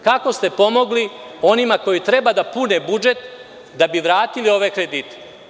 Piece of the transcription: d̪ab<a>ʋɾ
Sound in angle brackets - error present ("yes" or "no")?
yes